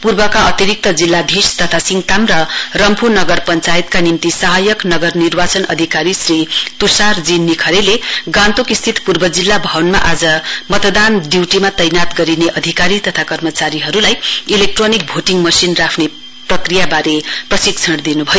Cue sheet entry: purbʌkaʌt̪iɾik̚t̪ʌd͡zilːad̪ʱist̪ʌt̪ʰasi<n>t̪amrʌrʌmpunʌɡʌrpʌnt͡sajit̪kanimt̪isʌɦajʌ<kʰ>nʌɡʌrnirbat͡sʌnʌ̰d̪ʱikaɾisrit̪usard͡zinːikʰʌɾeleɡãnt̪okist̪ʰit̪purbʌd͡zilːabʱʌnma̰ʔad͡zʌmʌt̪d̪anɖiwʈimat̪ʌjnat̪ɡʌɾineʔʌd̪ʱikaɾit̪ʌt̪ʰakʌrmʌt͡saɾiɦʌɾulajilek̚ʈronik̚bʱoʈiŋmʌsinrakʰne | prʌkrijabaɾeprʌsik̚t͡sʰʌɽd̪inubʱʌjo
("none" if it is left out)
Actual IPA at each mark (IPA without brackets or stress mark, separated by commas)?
ŋ, k